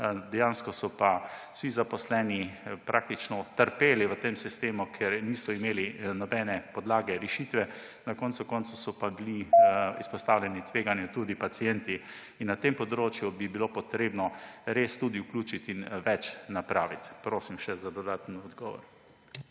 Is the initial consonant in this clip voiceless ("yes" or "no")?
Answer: no